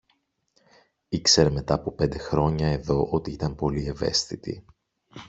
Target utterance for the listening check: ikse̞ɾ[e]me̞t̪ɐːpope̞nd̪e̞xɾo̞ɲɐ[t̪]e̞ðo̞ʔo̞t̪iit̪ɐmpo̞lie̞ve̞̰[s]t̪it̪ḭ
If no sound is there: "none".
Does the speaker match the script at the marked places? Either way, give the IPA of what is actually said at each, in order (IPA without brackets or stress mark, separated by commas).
e, none, s